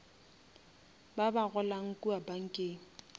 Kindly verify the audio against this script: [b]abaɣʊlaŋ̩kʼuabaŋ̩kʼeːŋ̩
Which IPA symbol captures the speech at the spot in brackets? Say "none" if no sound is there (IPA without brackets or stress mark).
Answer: b